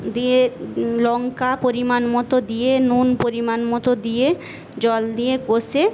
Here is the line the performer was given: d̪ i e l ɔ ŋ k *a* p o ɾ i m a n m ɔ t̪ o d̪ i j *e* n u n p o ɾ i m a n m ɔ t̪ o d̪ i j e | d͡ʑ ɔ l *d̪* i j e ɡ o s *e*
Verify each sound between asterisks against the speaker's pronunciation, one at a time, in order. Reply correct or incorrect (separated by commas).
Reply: correct, correct, correct, correct